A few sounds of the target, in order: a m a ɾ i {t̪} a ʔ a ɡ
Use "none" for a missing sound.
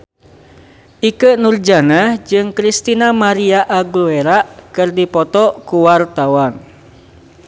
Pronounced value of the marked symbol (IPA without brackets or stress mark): none